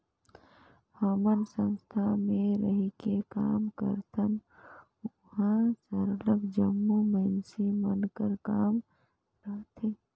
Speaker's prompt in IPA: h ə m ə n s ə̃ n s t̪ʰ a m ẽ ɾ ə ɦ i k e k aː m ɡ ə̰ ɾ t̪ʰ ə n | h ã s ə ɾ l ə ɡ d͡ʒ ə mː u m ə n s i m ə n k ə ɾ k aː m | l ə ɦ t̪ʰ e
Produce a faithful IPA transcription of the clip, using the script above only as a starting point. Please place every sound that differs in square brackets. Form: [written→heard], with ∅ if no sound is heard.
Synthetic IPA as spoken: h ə m ə n s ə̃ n s t̪ʰ a m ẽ ɾ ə ɦ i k e k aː m [ɡ→k] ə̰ ɾ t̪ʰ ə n | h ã s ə ɾ l ə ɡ d͡ʒ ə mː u m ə n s i m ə n k ə ɾ k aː m | [l→ɾ] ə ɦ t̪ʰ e